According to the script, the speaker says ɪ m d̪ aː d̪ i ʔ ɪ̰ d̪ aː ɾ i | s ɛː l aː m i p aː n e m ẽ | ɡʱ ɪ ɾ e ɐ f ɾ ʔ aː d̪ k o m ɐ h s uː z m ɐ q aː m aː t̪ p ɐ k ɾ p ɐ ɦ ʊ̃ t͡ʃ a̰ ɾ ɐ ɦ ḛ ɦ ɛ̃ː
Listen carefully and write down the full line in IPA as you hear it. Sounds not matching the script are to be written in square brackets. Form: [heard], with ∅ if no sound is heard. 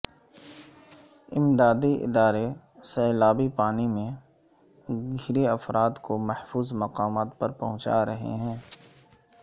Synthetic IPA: ɪ m d̪ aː d̪ i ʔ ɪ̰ d̪ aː ɾ [e] | s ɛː l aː [b] i p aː n [i] m ẽ | ɡʱ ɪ ɾ e ɐ f ɾ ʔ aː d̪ k o m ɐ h [f] uː z m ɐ q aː m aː t̪ p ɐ [∅] ɾ p ɐ ɦ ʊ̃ t͡ʃ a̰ ɾ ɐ ɦ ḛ ɦ ɛ̃ː